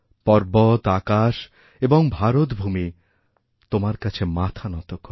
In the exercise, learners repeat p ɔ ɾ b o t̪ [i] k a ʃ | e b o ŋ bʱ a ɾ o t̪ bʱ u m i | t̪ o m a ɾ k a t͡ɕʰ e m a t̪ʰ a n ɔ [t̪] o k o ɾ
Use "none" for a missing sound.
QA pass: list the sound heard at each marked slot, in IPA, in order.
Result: a, t̪

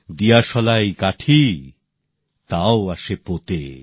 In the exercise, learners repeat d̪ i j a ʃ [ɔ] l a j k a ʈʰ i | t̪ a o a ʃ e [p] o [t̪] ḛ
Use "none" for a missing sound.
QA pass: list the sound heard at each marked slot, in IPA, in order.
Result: ɔ, p, t̪

